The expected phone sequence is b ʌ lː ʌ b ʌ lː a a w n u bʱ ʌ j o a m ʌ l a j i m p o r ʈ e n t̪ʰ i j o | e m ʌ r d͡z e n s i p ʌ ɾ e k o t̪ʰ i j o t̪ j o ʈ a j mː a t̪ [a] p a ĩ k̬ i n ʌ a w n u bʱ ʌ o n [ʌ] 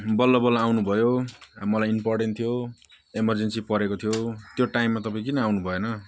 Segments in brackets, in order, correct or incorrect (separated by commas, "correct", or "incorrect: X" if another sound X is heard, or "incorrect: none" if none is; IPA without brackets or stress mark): incorrect: ʌ, correct